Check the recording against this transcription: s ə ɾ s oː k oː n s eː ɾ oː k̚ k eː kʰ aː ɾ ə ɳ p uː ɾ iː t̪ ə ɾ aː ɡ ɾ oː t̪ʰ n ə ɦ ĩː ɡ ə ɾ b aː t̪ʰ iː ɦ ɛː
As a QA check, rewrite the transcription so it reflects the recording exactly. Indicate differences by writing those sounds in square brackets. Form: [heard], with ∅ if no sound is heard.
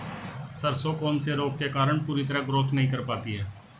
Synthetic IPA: s ə ɾ s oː k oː n s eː ɾ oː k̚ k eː [k] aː ɾ ə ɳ p uː ɾ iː t̪ ə ɾ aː ɡ ɾ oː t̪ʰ n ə ɦ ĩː [k] ə ɾ [p] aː [t̪] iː ɦ ɛː